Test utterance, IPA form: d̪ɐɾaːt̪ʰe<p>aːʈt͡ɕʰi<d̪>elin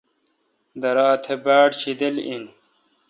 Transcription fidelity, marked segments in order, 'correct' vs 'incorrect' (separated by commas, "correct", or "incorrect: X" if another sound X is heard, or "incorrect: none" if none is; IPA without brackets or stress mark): incorrect: b, correct